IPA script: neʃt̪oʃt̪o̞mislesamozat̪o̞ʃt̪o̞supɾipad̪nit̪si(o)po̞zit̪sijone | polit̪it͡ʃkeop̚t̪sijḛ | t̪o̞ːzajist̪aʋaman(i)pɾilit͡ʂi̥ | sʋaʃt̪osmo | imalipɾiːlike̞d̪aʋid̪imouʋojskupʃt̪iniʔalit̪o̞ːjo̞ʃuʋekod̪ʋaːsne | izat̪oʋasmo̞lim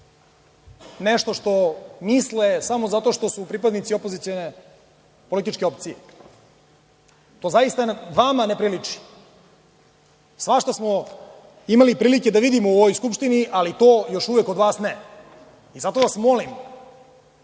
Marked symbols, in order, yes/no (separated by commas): yes, no